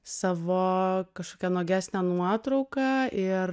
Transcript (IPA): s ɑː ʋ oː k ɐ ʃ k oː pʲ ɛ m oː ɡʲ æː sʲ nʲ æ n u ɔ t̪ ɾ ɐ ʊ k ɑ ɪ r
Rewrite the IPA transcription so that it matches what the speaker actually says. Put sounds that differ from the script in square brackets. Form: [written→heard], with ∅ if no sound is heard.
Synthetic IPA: s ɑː ʋ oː k ɐ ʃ k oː [pʲ→kʲ] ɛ [m→n] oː ɡʲ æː sʲ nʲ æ n u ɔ t̪ ɾ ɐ ʊ k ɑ ɪ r

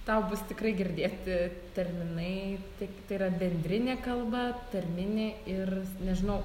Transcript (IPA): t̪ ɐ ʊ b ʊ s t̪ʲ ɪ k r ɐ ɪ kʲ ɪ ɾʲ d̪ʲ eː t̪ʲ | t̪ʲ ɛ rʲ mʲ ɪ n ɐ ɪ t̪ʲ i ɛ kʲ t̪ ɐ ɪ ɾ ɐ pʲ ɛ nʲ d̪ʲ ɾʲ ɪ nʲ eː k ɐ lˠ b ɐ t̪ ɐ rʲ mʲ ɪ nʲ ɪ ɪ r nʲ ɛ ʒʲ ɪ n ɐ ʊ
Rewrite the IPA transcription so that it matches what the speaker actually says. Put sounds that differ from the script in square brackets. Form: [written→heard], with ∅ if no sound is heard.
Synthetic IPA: t̪ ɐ ʊ b ʊ s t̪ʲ ɪ k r ɐ ɪ [kʲ→ɡʲ] ɪ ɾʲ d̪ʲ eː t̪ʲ | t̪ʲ ɛ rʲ mʲ ɪ n ɐ ɪ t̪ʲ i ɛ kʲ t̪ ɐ ɪ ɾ ɐ [pʲ→bʲ] ɛ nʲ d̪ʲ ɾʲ ɪ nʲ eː k ɐ lˠ b ɐ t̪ ɐ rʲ mʲ ɪ nʲ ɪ ɪ r nʲ ɛ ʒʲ ɪ n ɐ ʊ

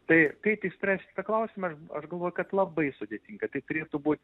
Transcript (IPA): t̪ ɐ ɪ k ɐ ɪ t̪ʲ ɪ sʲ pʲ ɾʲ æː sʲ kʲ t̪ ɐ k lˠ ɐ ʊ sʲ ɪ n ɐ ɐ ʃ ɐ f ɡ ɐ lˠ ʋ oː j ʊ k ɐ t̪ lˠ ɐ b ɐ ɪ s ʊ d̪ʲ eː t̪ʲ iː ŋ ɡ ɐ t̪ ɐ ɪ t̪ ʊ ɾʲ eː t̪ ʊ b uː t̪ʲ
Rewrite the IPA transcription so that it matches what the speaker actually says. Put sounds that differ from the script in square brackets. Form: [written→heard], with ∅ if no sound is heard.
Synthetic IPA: t̪ ɐ ɪ k ɐ ɪ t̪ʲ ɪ sʲ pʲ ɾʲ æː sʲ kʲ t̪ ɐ k lˠ ɐ ʊ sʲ ɪ [n→m] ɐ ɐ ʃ ɐ [f→ʃ] ɡ ɐ lˠ ʋ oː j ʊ k ɐ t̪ lˠ ɐ b ɐ ɪ s ʊ d̪ʲ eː t̪ʲ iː ŋ ɡ ɐ t̪ ɐ ɪ t̪ ʊ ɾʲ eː t̪ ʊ b uː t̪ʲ

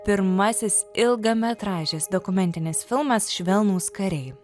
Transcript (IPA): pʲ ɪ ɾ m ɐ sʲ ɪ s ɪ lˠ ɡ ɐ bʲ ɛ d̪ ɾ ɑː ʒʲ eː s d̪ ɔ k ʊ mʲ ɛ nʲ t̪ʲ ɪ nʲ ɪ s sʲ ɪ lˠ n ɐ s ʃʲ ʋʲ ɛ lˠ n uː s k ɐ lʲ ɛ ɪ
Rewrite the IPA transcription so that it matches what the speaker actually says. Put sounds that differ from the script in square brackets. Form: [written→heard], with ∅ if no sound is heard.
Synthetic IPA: pʲ ɪ ɾ m ɐ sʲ ɪ s ɪ lˠ ɡ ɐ [bʲ→mʲ] ɛ [d̪→t̪] ɾ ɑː ʒʲ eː s d̪ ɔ k ʊ mʲ ɛ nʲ t̪ʲ ɪ nʲ ɪ s [sʲ→fʲ] ɪ lˠ [n→m] ɐ s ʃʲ ʋʲ ɛ lˠ n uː s k ɐ [lʲ→ɾʲ] ɛ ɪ

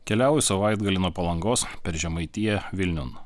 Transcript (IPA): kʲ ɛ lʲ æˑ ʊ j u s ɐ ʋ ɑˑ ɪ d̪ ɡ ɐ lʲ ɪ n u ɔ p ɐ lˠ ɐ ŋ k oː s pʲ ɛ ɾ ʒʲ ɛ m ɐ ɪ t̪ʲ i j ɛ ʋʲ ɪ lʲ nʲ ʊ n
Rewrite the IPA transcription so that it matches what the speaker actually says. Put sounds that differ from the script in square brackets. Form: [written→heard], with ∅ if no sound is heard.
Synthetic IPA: kʲ ɛ lʲ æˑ ʊ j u s ɐ ʋ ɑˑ ɪ d̪ ɡ ɐ lʲ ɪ n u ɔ p ɐ lˠ ɐ ŋ [k→ɡ] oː s pʲ ɛ ɾ ʒʲ ɛ m ɐ ɪ t̪ʲ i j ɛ ʋʲ ɪ lʲ nʲ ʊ n

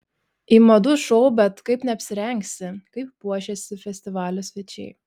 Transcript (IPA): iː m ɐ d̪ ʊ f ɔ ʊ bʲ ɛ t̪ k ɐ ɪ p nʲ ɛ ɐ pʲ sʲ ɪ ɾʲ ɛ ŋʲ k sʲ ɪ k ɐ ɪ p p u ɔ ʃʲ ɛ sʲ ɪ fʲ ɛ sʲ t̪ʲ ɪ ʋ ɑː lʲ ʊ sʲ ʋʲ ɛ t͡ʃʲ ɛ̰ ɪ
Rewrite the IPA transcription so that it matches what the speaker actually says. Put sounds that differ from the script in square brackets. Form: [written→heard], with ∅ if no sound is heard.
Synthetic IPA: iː m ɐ d̪ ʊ [f→ʃ] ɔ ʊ bʲ ɛ t̪ k ɐ ɪ p nʲ ɛ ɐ pʲ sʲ ɪ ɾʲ ɛ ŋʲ k sʲ ɪ k ɐ ɪ p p u ɔ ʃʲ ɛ sʲ ɪ fʲ ɛ sʲ t̪ʲ ɪ ʋ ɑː lʲ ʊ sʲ ʋʲ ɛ t͡ʃʲ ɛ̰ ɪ

